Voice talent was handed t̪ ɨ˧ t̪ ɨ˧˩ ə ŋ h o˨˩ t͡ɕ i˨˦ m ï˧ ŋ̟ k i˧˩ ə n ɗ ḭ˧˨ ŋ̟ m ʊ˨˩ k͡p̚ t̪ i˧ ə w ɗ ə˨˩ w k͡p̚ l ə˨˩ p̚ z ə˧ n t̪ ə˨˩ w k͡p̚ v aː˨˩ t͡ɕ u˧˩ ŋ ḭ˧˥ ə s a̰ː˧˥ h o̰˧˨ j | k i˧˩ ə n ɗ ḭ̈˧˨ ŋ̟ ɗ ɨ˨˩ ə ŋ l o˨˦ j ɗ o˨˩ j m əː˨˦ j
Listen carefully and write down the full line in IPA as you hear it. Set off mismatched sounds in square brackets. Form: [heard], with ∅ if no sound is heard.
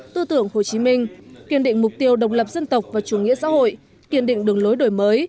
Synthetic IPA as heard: t̪ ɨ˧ t̪ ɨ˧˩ ə ŋ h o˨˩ t͡ɕ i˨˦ m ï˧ ŋ̟ k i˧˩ ə n ɗ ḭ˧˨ ŋ̟ m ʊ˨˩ k͡p̚ t̪ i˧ ə w ɗ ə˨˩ w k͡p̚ l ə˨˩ p̚ z ə˧ n t̪ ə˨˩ w k͡p̚ v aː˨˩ t͡ɕ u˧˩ ŋ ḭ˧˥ ə s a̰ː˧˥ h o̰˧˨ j | k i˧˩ ə n ɗ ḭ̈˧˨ ŋ̟ ɗ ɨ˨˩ ə ŋ l o˨˦ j ɗ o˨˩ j m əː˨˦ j